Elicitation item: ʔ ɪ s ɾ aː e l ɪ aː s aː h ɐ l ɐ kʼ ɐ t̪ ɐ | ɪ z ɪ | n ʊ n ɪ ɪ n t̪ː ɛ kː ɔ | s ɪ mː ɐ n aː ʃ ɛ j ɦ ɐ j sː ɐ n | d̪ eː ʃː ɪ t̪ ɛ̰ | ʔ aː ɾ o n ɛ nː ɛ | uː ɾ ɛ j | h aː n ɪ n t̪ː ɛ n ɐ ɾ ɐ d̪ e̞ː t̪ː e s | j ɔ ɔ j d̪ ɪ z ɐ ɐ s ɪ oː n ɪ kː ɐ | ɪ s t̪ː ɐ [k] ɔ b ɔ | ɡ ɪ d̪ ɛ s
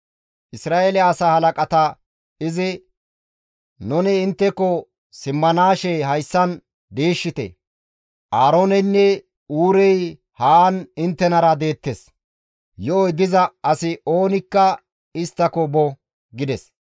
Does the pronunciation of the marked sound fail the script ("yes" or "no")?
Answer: no